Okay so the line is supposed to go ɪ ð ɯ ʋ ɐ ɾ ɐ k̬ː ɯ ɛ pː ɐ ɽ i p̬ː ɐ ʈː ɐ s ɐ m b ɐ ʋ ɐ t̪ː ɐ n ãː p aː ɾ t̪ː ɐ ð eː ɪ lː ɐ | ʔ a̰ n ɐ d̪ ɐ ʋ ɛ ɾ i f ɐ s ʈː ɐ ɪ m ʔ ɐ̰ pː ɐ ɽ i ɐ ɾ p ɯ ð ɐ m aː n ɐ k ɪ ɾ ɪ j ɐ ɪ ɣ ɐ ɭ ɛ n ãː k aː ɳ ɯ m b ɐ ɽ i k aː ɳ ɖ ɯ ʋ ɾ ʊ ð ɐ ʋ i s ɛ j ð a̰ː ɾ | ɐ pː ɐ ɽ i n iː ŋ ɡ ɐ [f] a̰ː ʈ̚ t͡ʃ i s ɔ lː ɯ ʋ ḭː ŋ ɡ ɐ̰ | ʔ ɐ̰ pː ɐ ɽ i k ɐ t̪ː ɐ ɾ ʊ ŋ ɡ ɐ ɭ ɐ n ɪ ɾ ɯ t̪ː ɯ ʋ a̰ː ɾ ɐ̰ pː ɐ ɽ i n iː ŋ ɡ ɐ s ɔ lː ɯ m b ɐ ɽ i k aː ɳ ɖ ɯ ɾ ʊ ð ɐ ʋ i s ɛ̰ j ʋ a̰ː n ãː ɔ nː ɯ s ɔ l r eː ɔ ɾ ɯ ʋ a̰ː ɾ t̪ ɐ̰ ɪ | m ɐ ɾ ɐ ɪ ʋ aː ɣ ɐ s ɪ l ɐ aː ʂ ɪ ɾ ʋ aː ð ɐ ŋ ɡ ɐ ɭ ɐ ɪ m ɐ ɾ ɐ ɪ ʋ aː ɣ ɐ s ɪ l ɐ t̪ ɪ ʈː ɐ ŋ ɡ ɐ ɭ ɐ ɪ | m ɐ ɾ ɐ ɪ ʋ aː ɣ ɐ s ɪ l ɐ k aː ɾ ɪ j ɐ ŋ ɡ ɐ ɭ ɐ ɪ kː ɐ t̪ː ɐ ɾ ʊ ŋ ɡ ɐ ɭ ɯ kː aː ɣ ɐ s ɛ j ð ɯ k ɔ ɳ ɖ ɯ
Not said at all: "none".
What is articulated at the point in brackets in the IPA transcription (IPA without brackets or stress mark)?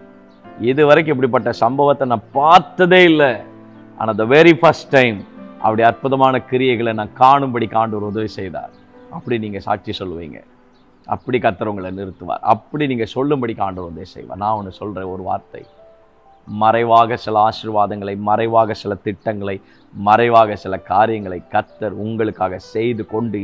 s